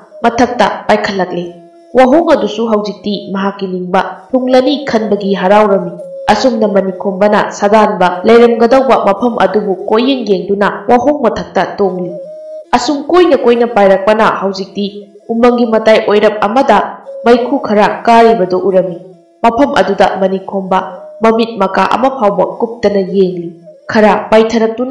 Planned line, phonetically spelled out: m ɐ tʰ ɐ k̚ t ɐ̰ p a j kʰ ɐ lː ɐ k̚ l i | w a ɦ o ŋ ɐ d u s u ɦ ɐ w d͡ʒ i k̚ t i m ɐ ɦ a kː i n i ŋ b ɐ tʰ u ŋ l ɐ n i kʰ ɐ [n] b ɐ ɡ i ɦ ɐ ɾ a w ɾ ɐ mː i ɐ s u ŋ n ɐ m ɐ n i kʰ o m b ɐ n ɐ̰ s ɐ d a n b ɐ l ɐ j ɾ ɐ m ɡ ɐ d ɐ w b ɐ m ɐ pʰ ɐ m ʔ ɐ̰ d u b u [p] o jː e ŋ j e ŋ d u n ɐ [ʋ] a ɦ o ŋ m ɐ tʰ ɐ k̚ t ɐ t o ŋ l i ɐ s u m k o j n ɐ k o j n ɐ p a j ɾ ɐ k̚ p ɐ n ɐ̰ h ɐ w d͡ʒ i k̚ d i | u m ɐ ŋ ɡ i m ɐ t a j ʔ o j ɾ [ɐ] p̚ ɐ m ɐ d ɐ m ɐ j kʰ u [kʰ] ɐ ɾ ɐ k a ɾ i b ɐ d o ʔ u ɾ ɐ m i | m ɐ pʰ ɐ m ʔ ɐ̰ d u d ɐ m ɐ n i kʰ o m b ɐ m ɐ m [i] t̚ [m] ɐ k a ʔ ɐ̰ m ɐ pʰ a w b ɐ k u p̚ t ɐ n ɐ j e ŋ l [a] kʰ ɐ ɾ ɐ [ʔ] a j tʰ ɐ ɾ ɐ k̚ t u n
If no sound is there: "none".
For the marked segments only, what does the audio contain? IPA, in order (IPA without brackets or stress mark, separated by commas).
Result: n, k, w, ɐ, kʰ, i, m, i, p